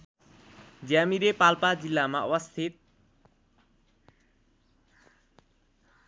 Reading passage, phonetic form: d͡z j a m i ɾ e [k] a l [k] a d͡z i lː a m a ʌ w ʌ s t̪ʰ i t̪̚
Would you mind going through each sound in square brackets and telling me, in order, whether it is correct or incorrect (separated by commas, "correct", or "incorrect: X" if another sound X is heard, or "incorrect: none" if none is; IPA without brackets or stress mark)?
incorrect: p, incorrect: p